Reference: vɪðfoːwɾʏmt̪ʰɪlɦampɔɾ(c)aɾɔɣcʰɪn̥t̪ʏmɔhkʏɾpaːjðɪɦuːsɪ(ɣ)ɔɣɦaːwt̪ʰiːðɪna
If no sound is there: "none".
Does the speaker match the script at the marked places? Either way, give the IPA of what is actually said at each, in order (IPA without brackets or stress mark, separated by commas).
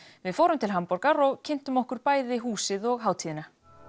k, ð